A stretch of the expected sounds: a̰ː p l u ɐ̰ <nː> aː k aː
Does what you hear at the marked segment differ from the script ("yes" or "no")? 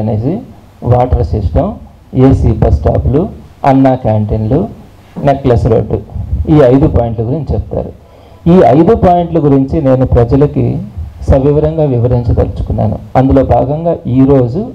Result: no